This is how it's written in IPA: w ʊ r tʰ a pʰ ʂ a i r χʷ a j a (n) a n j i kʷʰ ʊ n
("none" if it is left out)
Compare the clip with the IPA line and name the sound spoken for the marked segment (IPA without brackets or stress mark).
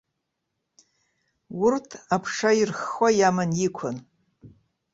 m